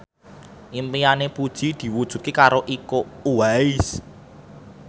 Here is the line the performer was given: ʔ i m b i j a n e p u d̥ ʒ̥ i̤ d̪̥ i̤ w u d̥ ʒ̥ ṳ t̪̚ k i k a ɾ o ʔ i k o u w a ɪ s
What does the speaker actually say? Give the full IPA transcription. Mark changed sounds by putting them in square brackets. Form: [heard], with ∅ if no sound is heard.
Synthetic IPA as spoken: ʔ i m [p] i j a n e p u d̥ ʒ̥ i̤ d̪̥ i̤ w u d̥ ʒ̥ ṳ t̪̚ k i k a ɾ o ʔ i k o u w a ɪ s

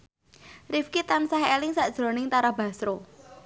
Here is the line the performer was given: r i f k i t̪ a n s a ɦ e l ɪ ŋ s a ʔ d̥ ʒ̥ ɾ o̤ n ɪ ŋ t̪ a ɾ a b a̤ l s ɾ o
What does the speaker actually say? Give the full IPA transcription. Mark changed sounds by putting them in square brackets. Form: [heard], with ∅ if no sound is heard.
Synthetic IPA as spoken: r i f k i t̪ a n s a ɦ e l ɪ ŋ s a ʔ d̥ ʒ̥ ɾ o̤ n ɪ ŋ t̪ a ɾ a b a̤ [∅] s ɾ o

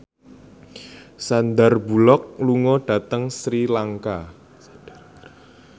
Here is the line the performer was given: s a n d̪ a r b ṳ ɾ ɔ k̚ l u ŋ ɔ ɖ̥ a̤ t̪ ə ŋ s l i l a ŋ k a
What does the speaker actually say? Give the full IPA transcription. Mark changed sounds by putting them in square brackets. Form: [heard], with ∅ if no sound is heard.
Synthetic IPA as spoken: s a n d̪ a r b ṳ [l] ɔ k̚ l u ŋ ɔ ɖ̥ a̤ t̪ ə ŋ s [ɾ] i l a ŋ k a

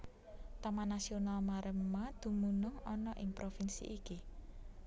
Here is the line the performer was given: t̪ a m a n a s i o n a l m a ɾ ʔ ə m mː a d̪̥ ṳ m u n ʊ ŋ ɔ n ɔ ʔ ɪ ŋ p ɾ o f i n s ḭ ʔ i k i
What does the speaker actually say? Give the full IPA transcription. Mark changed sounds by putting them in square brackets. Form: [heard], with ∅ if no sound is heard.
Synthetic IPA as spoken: t̪ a m a n a s i o n a l m a ɾ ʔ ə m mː a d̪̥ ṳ m u n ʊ ŋ ɔ n ɔ ʔ ɪ ŋ p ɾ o f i n s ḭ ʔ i k i

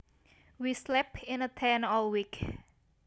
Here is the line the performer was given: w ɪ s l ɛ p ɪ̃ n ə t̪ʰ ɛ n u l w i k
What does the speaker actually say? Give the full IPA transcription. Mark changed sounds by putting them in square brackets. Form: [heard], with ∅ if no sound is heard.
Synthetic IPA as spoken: w [i] s l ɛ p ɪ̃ n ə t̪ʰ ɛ n [ɔ] l w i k

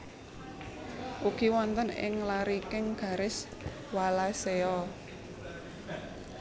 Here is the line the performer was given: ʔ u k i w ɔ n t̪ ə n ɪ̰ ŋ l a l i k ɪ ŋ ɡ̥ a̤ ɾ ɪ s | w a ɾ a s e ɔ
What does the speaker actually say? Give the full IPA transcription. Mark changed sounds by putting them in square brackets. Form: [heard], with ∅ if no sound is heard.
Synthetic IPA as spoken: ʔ u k i w ɔ n t̪ ə n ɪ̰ ŋ l a [ɾ] i k ɪ ŋ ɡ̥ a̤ ɾ ɪ s | w a [l] a s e ɔ

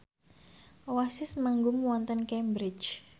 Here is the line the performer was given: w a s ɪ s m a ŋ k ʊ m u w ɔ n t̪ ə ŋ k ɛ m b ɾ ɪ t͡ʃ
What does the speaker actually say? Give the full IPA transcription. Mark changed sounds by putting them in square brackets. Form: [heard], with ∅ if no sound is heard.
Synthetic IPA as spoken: w a s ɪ s m a ŋ [ɡ] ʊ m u w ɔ n t̪ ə [n] k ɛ m b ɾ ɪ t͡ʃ

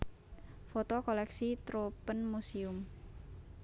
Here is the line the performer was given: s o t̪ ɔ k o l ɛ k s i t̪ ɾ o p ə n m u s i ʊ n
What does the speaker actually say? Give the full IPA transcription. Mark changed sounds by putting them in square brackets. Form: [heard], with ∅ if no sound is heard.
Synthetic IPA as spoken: [f] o t̪ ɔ k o l ɛ k s i t̪ ɾ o p ə n m u s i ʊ [m]

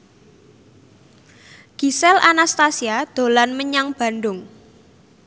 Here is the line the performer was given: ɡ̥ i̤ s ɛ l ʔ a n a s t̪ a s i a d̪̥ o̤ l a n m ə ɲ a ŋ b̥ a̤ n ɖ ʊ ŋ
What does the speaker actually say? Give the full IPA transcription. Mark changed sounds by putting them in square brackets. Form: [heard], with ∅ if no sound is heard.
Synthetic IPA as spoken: ɡ̥ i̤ s ɛ l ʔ a n a s t̪ a s i a d̪̥ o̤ l a n m ə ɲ a ŋ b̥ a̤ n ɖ ʊ ŋ

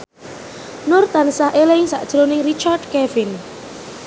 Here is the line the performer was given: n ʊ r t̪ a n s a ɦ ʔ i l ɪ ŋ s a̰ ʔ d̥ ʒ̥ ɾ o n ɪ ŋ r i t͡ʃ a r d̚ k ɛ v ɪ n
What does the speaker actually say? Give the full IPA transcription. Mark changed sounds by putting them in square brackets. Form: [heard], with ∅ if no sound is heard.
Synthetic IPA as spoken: n ʊ r t̪ a n s a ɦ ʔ [e] l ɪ ŋ s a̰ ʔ d̥ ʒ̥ ɾ o n ɪ ŋ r i t͡ʃ a r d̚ k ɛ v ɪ n

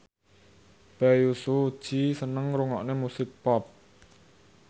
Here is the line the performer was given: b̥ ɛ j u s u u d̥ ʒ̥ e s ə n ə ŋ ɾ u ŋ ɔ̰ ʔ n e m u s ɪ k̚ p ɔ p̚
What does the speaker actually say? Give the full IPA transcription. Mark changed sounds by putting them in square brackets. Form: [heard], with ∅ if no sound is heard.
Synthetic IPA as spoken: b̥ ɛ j u s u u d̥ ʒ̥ [i] s ə n ə ŋ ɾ u ŋ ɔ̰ ʔ n e m u s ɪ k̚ p ɔ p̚

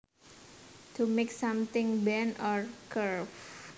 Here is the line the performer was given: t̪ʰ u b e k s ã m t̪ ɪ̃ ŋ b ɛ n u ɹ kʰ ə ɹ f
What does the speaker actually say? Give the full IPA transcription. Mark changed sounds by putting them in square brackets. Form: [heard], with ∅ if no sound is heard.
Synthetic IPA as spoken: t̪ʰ u [m] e k s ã m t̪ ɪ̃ ŋ b ɛ n [ɔ] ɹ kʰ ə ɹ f

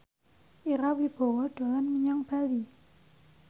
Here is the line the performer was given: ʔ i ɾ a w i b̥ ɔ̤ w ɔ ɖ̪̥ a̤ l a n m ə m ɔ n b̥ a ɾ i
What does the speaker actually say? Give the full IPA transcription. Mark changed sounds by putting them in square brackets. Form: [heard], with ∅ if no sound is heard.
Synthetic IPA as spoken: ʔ i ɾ a w i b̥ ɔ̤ w ɔ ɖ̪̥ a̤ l a n m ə [ɲ] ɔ [ŋ] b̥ a [l] i

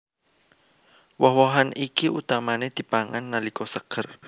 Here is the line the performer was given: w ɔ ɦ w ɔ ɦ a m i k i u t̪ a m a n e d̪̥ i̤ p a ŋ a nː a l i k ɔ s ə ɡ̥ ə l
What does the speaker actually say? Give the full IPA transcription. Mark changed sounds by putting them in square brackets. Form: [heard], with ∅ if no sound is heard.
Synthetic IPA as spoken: w ɔ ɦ w ɔ ɦ a [n] i k i u t̪ a m a n e d̪̥ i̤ p a ŋ a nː a l i k ɔ s ə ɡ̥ ə [r]

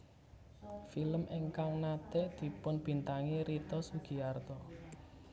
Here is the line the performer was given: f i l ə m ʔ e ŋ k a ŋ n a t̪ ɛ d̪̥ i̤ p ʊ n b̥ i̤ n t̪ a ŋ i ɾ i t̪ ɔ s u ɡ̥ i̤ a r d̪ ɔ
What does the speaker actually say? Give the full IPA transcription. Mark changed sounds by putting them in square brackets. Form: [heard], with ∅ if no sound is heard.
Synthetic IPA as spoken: f i l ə m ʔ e ŋ k a ŋ n a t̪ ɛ d̪̥ i̤ p ʊ n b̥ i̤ n t̪ a ŋ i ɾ i t̪ ɔ s u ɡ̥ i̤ a r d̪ ɔ

